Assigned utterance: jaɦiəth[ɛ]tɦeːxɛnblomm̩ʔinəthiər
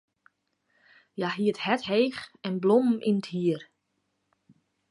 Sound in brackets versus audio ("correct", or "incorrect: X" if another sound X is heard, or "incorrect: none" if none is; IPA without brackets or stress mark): correct